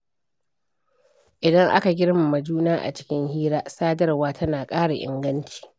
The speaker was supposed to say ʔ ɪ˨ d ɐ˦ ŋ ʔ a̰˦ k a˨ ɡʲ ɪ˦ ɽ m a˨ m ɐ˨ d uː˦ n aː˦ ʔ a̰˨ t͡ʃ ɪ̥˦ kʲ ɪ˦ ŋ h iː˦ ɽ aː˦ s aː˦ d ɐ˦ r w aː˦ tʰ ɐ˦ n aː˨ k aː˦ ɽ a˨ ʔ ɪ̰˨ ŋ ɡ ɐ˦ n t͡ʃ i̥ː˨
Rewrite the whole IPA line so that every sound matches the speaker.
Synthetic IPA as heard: ʔ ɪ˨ d ɐ˦ ŋ ʔ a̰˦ k a˨ ɡʲ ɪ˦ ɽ m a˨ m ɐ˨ d͡ʒ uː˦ n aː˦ ʔ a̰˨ t͡ʃ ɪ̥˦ kʲ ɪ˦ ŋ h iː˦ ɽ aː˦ s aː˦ d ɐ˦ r w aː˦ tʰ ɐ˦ n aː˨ kʼ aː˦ ɽ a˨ ʔ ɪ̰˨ ŋ ɡ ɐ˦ n t͡ʃ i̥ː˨